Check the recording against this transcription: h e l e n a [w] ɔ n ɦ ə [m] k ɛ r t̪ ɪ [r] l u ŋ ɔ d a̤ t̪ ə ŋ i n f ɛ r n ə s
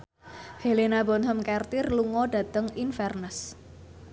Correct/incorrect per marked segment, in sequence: incorrect: b, correct, correct

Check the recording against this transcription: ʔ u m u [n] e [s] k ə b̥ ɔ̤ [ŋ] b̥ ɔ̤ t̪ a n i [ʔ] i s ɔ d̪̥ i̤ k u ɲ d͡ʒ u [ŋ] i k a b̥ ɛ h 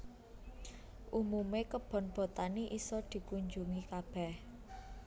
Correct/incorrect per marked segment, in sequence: incorrect: m, incorrect: none, incorrect: n, correct, correct

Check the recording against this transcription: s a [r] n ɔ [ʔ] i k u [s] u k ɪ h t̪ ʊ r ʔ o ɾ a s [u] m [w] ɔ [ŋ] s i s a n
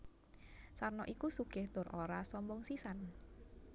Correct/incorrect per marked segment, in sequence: correct, correct, correct, incorrect: ɔ, incorrect: b, correct

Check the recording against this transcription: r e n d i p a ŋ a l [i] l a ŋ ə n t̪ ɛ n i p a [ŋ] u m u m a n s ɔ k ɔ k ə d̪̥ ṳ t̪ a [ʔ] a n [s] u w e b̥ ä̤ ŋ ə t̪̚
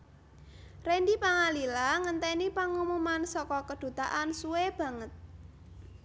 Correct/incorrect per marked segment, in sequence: correct, correct, correct, correct

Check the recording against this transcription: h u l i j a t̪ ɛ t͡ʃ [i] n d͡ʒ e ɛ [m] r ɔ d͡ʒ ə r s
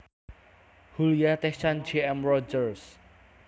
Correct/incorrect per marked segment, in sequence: incorrect: a, correct

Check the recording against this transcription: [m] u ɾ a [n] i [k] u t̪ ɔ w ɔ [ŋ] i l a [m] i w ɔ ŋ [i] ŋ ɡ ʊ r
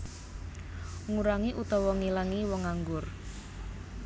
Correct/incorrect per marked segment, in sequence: incorrect: ŋ, incorrect: ŋ, incorrect: ʔ, correct, incorrect: ŋ, incorrect: a

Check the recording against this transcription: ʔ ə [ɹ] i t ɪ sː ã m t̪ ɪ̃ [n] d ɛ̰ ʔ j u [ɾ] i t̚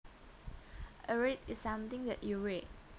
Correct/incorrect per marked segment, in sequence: correct, incorrect: ŋ, incorrect: ɹ

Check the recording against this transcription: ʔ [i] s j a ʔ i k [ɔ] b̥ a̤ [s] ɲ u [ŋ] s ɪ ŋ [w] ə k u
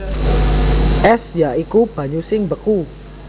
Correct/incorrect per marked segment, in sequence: incorrect: ɛ, incorrect: u, incorrect: none, incorrect: none, incorrect: b

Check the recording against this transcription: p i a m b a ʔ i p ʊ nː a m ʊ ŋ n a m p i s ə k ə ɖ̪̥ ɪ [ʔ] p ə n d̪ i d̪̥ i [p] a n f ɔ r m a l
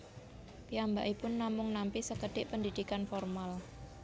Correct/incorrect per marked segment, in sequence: correct, incorrect: k

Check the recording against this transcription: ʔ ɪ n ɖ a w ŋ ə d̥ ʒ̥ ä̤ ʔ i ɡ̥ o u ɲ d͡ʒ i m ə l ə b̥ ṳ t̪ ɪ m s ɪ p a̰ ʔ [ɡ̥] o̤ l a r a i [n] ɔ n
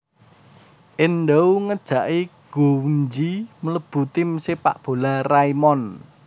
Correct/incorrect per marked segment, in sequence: incorrect: b̥, incorrect: m

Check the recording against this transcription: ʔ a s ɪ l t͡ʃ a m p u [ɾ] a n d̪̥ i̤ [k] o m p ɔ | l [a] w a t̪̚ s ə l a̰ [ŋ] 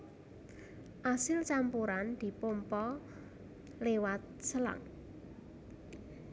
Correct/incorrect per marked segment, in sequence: correct, incorrect: p, incorrect: e, correct

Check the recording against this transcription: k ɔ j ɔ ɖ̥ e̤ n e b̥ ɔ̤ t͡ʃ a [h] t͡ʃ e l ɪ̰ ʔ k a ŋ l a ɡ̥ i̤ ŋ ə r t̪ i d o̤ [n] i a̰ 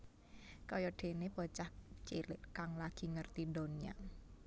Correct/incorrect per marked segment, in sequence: correct, correct

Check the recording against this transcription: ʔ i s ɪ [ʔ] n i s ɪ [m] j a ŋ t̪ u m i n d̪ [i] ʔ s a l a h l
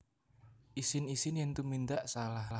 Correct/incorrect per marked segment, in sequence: incorrect: none, incorrect: n, incorrect: a

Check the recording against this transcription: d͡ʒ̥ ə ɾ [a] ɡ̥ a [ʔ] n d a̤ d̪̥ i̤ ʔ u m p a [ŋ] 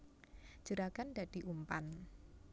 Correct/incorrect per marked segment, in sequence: correct, incorrect: none, incorrect: n

